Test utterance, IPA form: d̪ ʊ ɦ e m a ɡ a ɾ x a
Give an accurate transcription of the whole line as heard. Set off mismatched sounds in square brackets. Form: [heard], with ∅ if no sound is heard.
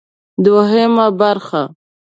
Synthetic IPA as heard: d̪ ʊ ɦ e m a [b] a ɾ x a

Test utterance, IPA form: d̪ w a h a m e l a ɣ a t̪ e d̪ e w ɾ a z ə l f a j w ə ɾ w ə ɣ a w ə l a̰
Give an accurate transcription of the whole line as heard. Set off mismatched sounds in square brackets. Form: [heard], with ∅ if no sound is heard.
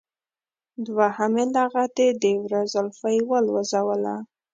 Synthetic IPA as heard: d̪ w a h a m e l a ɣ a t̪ e d̪ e w ɾ a z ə l f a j w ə [l] w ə [z] a w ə l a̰

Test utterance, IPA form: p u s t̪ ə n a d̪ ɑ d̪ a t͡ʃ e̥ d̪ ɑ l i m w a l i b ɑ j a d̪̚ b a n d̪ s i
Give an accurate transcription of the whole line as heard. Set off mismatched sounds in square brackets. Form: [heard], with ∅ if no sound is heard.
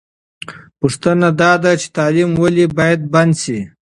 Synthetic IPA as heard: p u [ʂ] t̪ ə n a d̪ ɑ d̪ a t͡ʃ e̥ [t̪] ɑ l i m w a l i b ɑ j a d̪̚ b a n d̪ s i

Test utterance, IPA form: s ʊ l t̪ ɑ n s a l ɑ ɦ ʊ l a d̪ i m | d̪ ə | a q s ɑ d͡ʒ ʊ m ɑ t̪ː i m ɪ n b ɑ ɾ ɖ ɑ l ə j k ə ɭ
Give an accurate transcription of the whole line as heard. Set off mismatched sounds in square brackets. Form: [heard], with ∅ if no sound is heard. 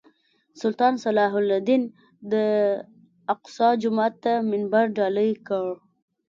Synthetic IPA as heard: s ʊ l t̪ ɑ n s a l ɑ ɦ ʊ l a d̪ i [n] | d̪ ə | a q s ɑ d͡ʒ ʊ m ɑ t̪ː [a] m ɪ n b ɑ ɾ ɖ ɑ l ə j k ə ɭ

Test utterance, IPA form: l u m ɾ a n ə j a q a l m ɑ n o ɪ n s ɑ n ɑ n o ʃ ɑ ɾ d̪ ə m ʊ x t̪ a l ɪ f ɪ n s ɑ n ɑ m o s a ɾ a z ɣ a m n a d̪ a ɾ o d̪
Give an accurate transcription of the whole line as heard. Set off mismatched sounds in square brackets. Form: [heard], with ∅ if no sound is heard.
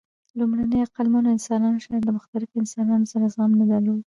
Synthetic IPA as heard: l u m [ɽ] a n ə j a q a l m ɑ n o ɪ n s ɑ n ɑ n o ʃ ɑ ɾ d̪ ə m ʊ x t̪ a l ɪ f ɪ n s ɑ n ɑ [n] o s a ɾ a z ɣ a m n a d̪ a [l] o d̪

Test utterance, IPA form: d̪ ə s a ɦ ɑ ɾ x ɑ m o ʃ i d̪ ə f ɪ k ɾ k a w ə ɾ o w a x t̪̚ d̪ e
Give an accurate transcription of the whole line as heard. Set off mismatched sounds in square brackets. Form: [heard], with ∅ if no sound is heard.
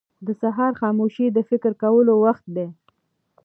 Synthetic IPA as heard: d̪ ə s a ɦ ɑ ɾ x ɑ m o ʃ i d̪ ə f ɪ k ɾ k a w ə [l] o w a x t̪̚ d̪ e

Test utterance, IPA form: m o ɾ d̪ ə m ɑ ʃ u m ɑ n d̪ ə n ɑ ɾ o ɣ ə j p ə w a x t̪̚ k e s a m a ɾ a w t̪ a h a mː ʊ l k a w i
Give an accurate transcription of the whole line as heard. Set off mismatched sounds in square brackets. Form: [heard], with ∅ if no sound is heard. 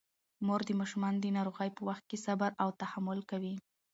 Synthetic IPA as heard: m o ɾ d̪ ə m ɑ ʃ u m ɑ n d̪ ə n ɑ ɾ o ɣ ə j p ə w a x t̪̚ k e s a [b] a ɾ a w t̪ a h a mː ʊ l k a w i

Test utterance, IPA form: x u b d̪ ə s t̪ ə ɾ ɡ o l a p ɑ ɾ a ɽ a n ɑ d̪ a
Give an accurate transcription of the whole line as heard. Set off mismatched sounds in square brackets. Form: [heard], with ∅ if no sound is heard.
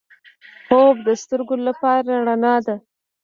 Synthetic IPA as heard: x [o] b d̪ ə s t̪ ə ɾ ɡ o l a p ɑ ɾ a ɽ a n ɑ d̪ a

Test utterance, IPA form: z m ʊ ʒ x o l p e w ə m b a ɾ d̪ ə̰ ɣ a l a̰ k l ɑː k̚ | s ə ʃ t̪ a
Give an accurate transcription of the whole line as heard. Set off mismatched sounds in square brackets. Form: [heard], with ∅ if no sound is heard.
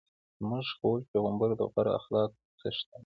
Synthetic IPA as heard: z m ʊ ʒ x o l p e [ɣ] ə m b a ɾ d̪ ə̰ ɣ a [ɾ] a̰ [x] l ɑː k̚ | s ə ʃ t̪ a

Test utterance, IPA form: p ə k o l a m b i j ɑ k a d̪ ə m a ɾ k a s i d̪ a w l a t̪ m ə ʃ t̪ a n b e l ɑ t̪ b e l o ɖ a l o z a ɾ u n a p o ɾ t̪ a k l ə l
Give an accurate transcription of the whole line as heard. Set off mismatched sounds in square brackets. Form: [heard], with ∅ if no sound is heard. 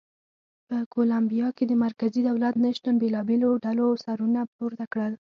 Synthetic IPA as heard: p ə k o l a m b i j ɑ k [e] d̪ ə m a ɾ k a [z] i d̪ a w l a t̪ [n] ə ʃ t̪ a n b e l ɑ [∅] b e l o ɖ a l o [s] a ɾ u n a p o ɾ t̪ a k [ɽ] ə l

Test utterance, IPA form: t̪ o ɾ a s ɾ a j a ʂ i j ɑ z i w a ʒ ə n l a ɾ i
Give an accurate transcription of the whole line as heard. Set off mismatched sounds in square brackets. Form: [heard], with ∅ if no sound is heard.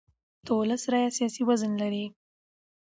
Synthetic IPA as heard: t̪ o [l] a s ɾ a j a [s] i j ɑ [s] i w a [z] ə n l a ɾ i

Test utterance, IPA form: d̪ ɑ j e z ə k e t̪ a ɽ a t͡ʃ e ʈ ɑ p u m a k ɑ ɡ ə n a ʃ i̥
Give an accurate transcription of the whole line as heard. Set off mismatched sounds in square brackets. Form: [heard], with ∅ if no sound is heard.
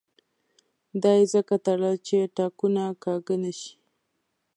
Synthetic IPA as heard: d̪ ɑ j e z ə k [a] t̪ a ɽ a t͡ʃ e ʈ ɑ [k] u [n] a k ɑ ɡ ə n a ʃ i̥

